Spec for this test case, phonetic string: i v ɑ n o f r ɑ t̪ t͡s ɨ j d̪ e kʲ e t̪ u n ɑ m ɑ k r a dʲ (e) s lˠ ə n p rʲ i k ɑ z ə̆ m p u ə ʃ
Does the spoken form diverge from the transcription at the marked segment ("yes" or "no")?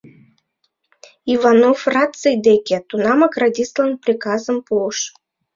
yes